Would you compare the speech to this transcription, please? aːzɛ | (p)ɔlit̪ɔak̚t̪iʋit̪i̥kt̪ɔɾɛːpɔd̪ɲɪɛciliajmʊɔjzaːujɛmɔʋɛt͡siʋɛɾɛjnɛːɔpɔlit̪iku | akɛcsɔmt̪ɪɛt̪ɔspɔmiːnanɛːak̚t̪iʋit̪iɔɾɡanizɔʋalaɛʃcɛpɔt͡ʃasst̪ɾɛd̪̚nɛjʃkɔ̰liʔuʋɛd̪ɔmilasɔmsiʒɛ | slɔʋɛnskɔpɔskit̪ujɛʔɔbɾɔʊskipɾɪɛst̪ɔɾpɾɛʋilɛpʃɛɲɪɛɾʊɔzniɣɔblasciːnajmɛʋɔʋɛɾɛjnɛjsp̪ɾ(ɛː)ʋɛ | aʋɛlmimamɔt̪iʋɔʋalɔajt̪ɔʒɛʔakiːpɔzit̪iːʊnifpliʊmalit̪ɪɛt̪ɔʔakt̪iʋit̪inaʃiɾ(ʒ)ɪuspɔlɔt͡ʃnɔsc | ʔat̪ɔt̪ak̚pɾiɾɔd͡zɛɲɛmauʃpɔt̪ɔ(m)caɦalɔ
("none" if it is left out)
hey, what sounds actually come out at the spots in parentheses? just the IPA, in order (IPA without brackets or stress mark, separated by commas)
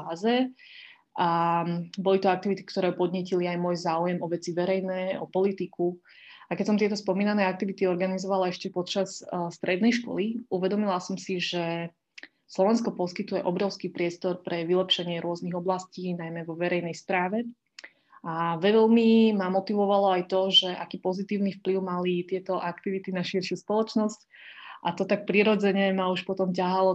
b, aː, ʃ, m